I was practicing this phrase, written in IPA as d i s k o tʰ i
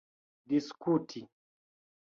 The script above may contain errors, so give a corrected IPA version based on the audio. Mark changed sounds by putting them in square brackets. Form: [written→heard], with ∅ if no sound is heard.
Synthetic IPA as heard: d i s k [o→u] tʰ i